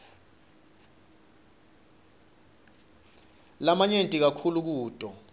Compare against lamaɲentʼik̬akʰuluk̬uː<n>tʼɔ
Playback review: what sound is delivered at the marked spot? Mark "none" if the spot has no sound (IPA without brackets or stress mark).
none